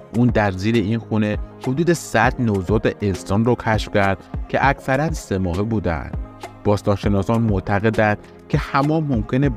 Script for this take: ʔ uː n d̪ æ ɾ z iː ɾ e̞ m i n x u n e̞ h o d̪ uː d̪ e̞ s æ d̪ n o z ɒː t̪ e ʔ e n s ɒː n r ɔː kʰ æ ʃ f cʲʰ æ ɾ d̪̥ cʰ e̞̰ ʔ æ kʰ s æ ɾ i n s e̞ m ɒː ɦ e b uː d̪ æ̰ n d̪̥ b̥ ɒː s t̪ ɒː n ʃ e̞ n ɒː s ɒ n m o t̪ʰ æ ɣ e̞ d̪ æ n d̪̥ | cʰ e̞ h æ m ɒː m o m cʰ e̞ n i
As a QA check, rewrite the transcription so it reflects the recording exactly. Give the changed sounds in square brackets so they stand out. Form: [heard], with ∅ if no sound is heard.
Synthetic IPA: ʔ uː n d̪ æ ɾ z iː ɾ e̞ [∅] i n x u n e̞ h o d̪ uː d̪ e̞ s æ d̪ n o z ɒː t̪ e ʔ e n s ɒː n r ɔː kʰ æ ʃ f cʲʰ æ ɾ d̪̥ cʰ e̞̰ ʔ æ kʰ s æ ɾ [æ] n s e̞ m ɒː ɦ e b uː d̪ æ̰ n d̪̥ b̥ ɒː s t̪ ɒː n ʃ e̞ n ɒː s ɒ n m o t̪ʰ æ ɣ e̞ d̪ æ n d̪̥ | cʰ e̞ h æ m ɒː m o m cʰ e̞ n [e]

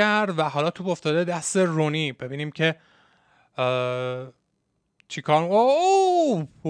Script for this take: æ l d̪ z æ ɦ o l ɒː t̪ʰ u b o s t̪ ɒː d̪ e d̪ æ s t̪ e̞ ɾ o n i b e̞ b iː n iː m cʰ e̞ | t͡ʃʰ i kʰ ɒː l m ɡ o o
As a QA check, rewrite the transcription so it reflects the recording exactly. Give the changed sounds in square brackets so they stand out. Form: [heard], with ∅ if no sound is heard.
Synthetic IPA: æ [ɾ] d̪ [v] æ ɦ [ɒ] l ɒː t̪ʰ u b o [f] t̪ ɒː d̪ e d̪ æ s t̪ e̞ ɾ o n i b e̞ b iː n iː m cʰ e̞ | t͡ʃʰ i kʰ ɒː [ɾ] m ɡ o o

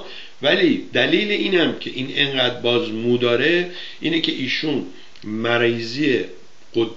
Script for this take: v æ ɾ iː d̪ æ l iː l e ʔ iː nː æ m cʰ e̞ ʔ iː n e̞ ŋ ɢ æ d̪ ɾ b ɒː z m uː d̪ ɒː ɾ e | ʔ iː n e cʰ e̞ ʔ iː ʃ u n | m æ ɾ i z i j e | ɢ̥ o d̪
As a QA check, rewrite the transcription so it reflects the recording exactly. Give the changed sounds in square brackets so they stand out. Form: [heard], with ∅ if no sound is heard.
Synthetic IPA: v æ [l] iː d̪ æ l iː l e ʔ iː [n] æ m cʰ e̞ ʔ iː n e̞ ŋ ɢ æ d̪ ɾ b ɒː z m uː d̪ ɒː ɾ e | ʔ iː n e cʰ e̞ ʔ iː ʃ u n | m æ ɾ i z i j e | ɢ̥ o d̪

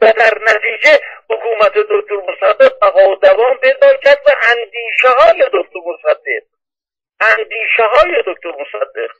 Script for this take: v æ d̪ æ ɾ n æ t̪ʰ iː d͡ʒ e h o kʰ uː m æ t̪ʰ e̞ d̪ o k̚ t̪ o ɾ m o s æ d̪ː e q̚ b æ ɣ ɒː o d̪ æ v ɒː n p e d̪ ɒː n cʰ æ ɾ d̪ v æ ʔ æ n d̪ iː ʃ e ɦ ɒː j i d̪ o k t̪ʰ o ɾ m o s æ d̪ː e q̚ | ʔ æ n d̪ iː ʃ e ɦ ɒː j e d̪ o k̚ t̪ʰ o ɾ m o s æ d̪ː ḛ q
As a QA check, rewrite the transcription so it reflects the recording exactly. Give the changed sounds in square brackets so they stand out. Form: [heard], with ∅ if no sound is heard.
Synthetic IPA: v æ d̪ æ ɾ n æ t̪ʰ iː d͡ʒ e h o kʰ uː m æ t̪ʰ e̞ d̪ o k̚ t̪ o ɾ m o s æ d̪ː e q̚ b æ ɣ ɒː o d̪ æ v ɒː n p e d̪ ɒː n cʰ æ ɾ d̪ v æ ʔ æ n d̪ iː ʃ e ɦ ɒː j [e] d̪ o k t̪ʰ o ɾ m o s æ d̪ː e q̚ | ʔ æ n d̪ iː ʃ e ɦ ɒː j e d̪ o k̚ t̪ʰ o ɾ m o s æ d̪ː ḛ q

